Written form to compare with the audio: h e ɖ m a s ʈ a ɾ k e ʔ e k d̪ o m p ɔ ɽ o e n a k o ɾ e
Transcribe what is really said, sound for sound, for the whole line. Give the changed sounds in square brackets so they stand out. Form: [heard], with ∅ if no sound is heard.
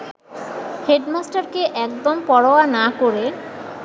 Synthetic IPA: h e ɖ m a s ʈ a ɾ k e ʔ [ɛ] k d̪ o m p ɔ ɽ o [a] n a k o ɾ e